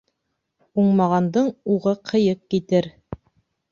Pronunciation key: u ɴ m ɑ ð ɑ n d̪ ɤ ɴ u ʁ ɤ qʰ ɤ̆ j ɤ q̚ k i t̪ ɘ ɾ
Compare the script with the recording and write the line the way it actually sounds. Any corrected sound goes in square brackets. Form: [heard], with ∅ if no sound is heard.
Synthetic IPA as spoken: u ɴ m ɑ [ʁ] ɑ n d̪ ɤ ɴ u ʁ ɤ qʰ ɤ̆ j ɤ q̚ k i t̪ ɘ ɾ